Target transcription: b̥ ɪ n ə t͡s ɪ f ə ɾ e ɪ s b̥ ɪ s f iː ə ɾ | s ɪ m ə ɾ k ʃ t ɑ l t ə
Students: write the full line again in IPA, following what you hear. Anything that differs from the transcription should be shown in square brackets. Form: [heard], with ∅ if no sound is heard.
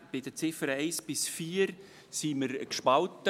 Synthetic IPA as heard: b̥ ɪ [d] ə t͡s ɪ f ə ɾ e ɪ s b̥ ɪ s f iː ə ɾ | s [i] m ə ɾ k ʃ [p] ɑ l t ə